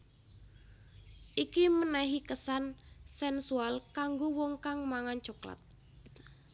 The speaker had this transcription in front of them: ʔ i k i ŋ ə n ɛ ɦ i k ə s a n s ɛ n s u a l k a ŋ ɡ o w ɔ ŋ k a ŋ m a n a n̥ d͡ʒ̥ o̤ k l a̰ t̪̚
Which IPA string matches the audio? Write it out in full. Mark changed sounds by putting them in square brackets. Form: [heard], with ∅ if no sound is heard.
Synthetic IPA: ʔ i k i [m] ə n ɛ ɦ i k ə s a n s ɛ n s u a l k a ŋ ɡ o w ɔ ŋ k a ŋ m a [ŋ] a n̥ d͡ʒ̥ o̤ k l a̰ t̪̚

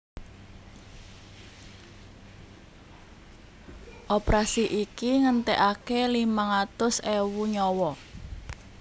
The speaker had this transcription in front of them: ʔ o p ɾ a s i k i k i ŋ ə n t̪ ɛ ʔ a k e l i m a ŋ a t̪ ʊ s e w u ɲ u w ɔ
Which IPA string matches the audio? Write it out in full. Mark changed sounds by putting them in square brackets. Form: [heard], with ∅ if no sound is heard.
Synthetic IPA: ʔ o p ɾ a s i [ʔ] i k i ŋ ə n t̪ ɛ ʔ a k e l i m a ŋ a t̪ ʊ s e w u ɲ [ɔ] w ɔ

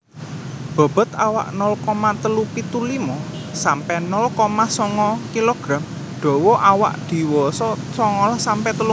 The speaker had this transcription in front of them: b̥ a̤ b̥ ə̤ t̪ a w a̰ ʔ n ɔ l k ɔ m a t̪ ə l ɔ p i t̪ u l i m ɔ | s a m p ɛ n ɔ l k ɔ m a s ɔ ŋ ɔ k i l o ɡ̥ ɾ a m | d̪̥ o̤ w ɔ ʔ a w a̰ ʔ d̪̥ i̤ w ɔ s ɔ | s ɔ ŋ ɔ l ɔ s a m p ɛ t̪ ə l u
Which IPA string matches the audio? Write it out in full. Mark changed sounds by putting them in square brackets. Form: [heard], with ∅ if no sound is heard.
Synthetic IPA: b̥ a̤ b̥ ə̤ t̪ a w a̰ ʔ n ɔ l k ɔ m a t̪ ə l [u] p i t̪ u l i m ɔ | s a m p ɛ n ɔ l k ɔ m a s ɔ ŋ ɔ k i l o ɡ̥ ɾ a m | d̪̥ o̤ w ɔ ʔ a w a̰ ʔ d̪̥ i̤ w ɔ s ɔ | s ɔ ŋ ɔ l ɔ s a m p ɛ t̪ ə l u

